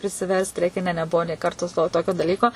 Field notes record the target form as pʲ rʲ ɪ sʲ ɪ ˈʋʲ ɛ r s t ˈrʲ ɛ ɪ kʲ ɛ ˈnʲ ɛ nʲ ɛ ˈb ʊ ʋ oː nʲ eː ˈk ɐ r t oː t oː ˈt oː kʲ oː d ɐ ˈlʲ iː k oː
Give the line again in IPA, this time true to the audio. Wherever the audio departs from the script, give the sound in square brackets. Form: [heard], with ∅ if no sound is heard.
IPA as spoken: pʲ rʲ ɪ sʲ ɪ ˈʋʲ ɛ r s t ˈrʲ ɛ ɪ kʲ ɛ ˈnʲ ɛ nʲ ɛ ˈb ʊ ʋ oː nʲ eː ˈk ɐ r t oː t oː ˈt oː kʲ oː d ɐ ˈlʲ iː k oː